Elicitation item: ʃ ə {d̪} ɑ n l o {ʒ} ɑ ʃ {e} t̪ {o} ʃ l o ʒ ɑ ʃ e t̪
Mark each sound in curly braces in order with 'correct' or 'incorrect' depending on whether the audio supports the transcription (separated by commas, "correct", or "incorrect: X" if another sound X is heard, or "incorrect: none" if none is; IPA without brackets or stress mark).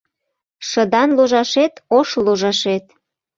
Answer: correct, correct, correct, correct